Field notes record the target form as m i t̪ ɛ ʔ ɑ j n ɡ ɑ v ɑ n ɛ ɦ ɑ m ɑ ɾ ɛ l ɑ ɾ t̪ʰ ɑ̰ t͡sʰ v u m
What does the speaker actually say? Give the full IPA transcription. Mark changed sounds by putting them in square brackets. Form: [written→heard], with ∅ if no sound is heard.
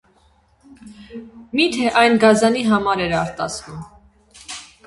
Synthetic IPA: m i [t̪→t̪ʰ] ɛ ʔ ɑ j n ɡ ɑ [v→z] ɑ n [ɛ→i] ɦ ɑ m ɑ ɾ ɛ [l→ɾ] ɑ ɾ [t̪ʰ→t̪] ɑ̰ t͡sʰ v u m